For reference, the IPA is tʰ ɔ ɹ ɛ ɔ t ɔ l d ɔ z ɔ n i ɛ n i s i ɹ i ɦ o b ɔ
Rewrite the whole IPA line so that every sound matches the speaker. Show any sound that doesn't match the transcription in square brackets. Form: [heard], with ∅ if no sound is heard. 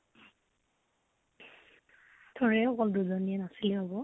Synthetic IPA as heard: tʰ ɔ ɹ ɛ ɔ [k] ɔ l d [u] z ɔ n i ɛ n [a] s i [l] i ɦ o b ɔ